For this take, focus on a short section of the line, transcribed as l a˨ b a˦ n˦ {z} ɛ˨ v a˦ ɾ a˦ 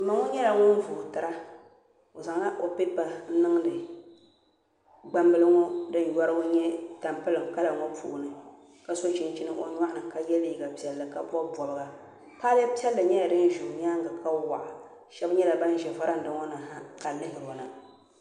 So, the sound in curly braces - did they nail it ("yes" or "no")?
no